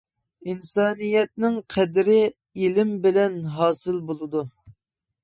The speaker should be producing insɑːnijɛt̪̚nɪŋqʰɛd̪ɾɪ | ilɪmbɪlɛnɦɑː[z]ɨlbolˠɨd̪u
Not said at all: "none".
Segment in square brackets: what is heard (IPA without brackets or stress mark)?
s